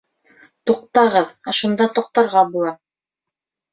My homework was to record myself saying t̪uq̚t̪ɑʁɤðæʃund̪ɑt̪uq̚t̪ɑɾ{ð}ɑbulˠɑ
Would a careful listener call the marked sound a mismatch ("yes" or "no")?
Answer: yes